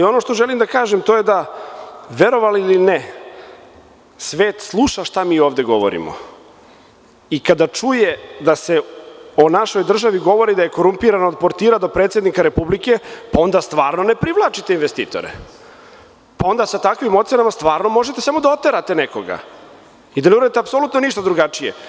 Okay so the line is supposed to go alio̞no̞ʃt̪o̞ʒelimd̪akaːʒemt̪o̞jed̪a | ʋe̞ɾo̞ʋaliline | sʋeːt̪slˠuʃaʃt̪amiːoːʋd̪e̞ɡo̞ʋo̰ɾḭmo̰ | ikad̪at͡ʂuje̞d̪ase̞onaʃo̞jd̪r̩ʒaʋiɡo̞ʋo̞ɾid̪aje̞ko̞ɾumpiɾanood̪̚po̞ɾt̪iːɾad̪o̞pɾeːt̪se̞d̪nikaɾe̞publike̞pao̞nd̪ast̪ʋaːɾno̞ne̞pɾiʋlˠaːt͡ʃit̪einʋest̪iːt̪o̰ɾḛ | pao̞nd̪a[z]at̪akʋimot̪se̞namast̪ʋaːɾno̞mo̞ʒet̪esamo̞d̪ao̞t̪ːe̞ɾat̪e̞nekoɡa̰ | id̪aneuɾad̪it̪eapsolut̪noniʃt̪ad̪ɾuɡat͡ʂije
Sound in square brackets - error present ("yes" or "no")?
yes